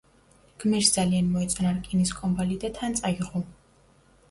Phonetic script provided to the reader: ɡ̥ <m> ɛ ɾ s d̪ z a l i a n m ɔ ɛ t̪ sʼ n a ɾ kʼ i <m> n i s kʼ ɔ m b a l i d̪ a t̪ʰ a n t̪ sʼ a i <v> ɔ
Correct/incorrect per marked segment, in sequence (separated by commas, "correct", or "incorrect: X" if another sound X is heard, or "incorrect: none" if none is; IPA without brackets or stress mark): correct, incorrect: none, incorrect: ʁ